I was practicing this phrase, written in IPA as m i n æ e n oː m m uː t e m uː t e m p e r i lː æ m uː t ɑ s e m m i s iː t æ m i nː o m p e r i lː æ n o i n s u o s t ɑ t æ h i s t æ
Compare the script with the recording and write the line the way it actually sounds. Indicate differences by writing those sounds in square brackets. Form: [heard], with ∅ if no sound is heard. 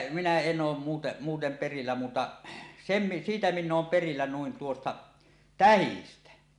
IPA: m i n æ e n oː m m uː t e m uː t e m p e r i lː æ m uː t ɑ s e m m i s iː t æ m i nː [oː] m p e r i lː æ n [u] i n [t] u o s t ɑ t æ h i s t æ